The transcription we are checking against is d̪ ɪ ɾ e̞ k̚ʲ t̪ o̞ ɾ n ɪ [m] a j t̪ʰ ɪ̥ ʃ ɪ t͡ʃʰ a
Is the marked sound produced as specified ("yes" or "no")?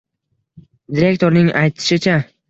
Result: no